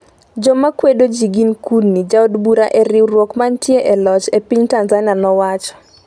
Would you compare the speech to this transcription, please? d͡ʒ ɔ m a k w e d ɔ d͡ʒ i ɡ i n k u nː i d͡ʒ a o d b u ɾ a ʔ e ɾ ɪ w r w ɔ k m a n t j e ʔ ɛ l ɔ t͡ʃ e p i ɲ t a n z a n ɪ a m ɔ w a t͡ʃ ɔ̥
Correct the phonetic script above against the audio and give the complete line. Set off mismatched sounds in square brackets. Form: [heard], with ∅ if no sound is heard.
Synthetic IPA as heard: d͡ʒ ɔ m a k w e d [o] d͡ʒ i ɡ i n k u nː i d͡ʒ a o d b u ɾ a ʔ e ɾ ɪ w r w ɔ k m a n t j e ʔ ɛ l ɔ t͡ʃ e p i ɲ t a n z a n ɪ a [n] ɔ w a t͡ʃ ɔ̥